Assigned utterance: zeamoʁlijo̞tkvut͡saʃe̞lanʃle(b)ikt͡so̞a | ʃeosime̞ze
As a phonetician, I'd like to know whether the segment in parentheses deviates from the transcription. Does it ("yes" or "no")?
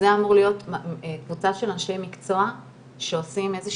yes